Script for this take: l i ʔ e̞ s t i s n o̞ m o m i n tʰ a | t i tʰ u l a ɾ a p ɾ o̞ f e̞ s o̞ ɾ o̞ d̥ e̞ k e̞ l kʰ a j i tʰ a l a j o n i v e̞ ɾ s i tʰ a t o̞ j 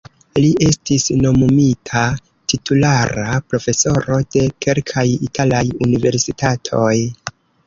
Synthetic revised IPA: l i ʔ e̞ s t i s n o̞ m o m i tʰ a | t i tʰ u l a ɾ a p ɾ o̞ f e̞ s o̞ ɾ o̞ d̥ e̞ k e̞ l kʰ a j i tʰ a l a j u n i v e̞ ɾ s i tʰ a tʰ o̞ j